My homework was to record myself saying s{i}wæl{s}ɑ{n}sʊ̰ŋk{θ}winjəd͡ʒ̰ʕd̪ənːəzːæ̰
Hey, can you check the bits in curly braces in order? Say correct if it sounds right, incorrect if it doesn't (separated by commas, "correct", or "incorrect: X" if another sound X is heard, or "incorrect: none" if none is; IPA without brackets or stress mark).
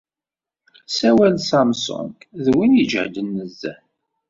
incorrect: æ, correct, incorrect: m, incorrect: ð